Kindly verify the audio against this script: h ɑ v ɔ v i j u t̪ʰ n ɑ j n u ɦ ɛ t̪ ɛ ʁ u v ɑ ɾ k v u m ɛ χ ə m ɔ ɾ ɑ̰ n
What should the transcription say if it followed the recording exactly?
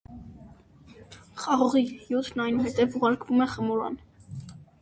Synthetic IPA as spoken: χ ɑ ʁ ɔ ʁ i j u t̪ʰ n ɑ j n u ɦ ɛ t̪ ɛ v u ʁ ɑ ɾ k v u m ɛ χ ə m ɔ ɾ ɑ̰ n